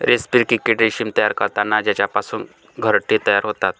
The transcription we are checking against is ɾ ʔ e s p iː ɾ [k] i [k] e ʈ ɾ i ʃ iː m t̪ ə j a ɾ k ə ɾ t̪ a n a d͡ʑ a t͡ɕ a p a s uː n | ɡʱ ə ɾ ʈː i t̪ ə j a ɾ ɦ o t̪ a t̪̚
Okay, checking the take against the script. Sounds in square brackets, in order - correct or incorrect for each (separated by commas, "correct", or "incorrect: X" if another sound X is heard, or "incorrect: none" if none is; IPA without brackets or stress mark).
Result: correct, correct